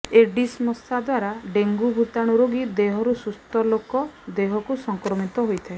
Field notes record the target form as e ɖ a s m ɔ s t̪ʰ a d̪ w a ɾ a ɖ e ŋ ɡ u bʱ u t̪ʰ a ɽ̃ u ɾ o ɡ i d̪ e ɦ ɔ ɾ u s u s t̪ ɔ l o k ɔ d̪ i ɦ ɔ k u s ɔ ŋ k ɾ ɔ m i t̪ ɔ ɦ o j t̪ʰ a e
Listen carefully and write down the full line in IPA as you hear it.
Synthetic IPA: e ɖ i s m ɔ s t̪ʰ a d̪ w a ɾ a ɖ e ŋ ɡ u bʱ u t̪ a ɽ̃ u ɾ o ɡ i d̪ e ɦ ɔ ɾ u s u s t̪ ɔ l o k ɔ d̪ e ɦ ɔ k u s ɔ ŋ k ɾ ɔ m i t̪ ɔ ɦ o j t̪ʰ a e